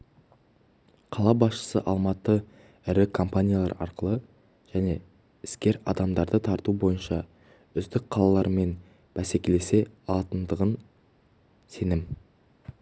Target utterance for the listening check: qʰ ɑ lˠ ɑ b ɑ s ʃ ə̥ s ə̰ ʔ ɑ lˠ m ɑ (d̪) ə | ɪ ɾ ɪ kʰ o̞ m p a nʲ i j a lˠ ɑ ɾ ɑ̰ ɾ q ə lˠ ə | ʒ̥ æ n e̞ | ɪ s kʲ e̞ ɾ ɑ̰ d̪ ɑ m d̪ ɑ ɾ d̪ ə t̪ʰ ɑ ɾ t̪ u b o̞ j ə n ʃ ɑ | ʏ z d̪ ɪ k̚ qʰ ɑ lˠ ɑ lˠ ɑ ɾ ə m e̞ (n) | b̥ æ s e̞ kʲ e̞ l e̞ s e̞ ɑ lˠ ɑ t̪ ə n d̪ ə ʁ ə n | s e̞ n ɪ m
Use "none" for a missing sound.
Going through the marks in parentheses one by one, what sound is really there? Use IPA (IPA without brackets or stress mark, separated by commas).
t̪, n